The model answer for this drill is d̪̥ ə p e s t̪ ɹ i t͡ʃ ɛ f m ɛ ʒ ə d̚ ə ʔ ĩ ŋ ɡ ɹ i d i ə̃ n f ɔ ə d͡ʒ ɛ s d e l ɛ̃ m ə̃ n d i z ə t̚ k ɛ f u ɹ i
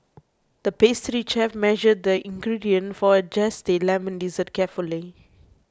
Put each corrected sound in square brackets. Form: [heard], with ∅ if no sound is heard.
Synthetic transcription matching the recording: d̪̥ ə p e s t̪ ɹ i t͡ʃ ɛ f m ɛ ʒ ə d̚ ə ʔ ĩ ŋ ɡ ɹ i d i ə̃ n f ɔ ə d͡ʒ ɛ s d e l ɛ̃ m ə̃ n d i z ə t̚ k ɛ f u [l] i